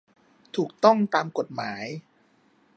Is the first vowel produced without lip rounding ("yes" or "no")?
no